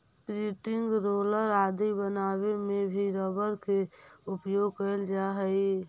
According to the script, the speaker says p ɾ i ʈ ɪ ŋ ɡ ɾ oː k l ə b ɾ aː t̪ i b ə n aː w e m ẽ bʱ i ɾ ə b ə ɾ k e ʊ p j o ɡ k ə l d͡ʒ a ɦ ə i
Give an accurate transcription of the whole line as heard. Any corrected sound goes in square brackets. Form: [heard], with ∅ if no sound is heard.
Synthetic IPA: p ɾ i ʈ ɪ ŋ ɡ ɾ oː [∅] l ə [∅] ɾ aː [d̪] i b ə n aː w e m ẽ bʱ i ɾ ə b ə ɾ k e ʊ p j o ɡ k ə l d͡ʒ a ɦ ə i